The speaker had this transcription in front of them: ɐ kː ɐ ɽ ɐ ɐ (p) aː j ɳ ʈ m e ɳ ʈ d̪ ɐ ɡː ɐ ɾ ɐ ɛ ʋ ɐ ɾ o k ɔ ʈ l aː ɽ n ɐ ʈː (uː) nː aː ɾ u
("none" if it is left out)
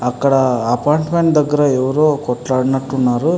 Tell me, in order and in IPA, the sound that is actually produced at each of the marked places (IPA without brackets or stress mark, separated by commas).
p, u